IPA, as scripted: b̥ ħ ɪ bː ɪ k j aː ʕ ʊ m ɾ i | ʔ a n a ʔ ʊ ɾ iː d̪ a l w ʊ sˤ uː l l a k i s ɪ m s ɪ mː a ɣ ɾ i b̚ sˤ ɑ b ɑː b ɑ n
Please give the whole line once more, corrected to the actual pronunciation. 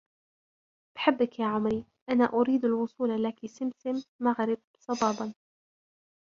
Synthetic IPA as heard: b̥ ħ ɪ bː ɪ k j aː ʕ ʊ m ɾ i | ʔ a n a ʔ ʊ ɾ iː d̪ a l w ʊ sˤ uː l l a k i s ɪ m s ɪ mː a ɣ ɾ ɪ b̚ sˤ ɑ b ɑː b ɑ n